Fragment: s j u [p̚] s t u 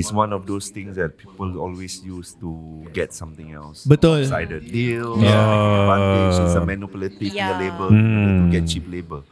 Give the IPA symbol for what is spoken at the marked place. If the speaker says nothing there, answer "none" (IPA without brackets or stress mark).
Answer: none